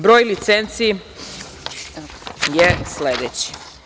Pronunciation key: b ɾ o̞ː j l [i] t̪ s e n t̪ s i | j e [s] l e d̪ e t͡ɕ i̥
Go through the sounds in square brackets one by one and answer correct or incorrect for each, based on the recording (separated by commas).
correct, correct